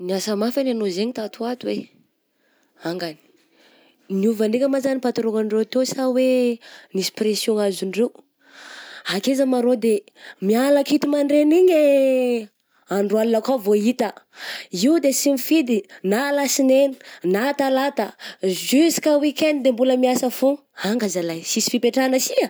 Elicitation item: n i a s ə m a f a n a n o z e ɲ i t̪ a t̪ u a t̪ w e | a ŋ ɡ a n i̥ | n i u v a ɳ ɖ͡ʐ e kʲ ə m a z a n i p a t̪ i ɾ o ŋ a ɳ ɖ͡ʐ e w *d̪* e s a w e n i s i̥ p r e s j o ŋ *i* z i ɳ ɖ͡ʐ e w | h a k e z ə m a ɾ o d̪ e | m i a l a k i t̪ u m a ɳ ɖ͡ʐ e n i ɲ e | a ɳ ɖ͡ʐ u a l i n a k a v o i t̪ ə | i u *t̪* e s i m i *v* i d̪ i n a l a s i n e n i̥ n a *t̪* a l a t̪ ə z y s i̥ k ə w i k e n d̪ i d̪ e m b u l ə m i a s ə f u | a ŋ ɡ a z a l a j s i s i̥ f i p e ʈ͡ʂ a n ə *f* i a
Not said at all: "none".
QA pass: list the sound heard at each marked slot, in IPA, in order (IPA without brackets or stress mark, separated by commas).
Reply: t̪, a, d̪, f, t̪, s